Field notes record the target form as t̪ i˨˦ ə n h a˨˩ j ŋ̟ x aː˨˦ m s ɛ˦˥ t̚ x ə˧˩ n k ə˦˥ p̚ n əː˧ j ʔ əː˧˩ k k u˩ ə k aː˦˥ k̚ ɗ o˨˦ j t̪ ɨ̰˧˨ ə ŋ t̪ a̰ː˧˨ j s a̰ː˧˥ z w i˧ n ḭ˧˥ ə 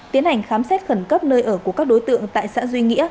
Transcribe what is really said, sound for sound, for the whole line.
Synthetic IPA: t̪ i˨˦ ə n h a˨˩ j ŋ̟ x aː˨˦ m s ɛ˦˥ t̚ x ə˧˩ n k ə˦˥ p̚ n əː˧ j ʔ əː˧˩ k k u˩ ə k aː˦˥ k̚ ɗ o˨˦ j t̪ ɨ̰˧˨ ə ŋ t̪ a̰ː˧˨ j s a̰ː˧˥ z w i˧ ŋ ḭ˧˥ ə